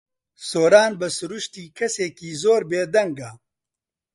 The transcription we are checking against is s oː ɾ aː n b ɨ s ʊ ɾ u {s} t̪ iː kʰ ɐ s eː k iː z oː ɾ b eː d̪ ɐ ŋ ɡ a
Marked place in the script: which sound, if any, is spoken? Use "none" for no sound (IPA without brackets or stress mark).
ʃ